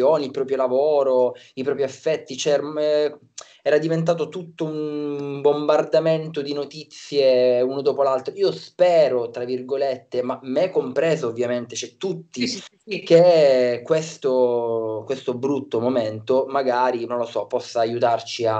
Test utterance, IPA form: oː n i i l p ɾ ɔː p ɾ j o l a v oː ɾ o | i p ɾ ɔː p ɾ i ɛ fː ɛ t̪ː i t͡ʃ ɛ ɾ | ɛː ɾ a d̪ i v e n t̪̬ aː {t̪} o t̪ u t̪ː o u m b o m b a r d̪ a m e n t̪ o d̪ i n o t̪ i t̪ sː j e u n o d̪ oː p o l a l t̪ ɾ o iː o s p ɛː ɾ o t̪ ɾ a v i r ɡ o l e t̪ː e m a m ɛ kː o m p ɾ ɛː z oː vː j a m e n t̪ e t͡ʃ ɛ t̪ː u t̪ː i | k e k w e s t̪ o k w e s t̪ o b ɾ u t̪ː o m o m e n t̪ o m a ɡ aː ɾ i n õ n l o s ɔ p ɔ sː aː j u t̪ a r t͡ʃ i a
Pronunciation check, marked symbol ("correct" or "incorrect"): correct